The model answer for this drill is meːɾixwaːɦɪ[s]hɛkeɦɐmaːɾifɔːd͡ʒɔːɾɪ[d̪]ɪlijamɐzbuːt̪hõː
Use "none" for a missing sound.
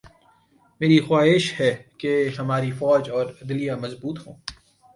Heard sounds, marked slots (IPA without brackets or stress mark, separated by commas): ʃ, d̪